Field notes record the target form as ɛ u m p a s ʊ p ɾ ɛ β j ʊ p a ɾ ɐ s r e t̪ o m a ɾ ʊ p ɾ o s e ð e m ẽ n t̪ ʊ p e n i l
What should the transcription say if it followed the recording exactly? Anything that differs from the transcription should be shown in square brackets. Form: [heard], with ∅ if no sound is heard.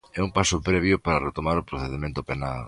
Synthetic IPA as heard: ɛ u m p a s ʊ p ɾ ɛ β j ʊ p a ɾ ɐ [∅] r e t̪ o m a ɾ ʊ p ɾ o [θ] e ð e m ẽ n t̪ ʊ p e n [a] l